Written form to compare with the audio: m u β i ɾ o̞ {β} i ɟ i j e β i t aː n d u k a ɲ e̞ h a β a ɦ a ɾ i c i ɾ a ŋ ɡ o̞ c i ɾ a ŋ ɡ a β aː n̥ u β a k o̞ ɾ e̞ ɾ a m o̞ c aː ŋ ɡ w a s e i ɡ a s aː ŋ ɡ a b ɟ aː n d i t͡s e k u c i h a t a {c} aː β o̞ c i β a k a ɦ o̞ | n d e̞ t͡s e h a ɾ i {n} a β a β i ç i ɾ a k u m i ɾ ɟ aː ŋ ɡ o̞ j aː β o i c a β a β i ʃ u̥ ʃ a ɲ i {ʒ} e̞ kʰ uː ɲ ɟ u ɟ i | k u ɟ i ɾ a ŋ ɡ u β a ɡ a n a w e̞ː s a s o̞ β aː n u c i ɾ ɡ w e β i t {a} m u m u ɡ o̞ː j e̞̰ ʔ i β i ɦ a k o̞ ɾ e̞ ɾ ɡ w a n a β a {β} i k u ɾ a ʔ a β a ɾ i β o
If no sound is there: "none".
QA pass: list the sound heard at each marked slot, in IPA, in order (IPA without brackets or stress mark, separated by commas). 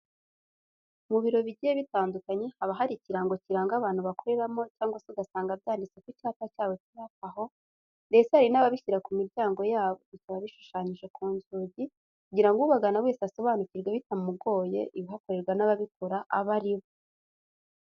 β, c, n, ʒ, a, β